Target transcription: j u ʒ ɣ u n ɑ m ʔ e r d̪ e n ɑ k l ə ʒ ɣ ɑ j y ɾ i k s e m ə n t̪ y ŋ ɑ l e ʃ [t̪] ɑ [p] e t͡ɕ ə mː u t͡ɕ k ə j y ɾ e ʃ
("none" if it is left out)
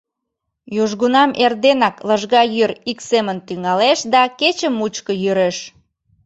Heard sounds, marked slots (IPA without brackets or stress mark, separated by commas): d̪, k